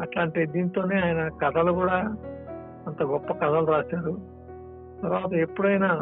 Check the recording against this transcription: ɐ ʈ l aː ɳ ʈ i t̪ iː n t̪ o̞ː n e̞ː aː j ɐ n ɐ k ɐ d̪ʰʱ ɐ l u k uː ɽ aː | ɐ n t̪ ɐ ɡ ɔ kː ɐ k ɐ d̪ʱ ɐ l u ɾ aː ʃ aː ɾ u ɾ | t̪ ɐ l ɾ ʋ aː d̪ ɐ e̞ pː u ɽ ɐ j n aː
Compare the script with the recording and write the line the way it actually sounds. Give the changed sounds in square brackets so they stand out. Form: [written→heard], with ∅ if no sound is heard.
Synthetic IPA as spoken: ɐ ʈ l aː ɳ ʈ i [t̪→d̪] iː n t̪ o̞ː n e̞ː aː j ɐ n ɐ k ɐ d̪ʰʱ ɐ l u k uː ɽ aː | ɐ n t̪ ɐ ɡ ɔ [kː→pː] ɐ k ɐ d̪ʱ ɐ l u ɾ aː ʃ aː ɾ u [ɾ→∅] | t̪ ɐ [l→∅] ɾ ʋ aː [d̪→t̪] ɐ e̞ pː u ɽ ɐ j n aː